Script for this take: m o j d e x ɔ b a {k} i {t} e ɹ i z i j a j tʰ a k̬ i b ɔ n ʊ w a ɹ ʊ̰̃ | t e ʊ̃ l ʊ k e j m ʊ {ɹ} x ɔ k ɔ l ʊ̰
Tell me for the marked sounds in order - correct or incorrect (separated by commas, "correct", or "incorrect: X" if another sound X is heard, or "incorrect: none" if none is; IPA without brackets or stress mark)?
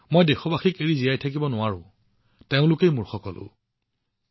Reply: incorrect: x, incorrect: k, correct